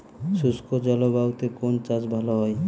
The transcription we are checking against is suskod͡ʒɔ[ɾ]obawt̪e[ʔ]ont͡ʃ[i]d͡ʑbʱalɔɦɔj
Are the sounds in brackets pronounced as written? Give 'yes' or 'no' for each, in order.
no, no, no

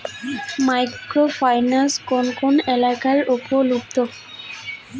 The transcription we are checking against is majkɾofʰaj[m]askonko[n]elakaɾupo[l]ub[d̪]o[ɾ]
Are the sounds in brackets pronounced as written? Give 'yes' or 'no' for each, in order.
no, yes, yes, no, no

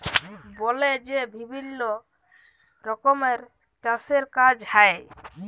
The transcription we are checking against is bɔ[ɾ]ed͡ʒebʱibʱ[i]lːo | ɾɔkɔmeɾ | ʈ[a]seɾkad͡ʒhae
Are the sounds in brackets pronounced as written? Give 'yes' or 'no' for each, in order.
no, yes, yes

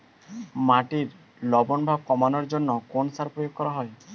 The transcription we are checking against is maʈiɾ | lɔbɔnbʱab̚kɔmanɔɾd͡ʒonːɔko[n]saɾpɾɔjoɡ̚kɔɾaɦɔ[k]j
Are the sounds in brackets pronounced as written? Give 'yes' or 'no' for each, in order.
yes, no

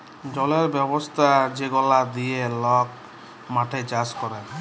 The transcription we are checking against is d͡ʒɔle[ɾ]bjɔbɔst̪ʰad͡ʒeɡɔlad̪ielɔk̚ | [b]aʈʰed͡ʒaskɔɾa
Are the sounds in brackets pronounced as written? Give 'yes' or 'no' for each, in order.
yes, no

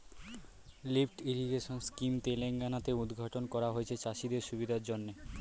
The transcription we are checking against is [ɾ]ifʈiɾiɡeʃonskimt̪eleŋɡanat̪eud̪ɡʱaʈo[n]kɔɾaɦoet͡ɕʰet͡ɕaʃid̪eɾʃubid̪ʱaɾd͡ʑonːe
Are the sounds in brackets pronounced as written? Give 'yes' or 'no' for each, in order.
no, yes

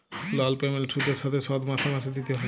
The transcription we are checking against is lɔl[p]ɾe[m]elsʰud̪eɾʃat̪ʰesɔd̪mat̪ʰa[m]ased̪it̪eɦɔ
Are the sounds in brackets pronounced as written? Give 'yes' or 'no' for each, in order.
yes, yes, yes

